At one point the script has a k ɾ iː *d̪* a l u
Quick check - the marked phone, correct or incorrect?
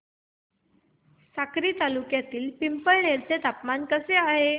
incorrect